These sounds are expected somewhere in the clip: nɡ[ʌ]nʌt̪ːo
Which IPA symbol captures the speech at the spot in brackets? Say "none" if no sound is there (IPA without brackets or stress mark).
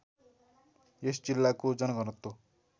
ʌ